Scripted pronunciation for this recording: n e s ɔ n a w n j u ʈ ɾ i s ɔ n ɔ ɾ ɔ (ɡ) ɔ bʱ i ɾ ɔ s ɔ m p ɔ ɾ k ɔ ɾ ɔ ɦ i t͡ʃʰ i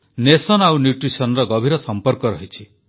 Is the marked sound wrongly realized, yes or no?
no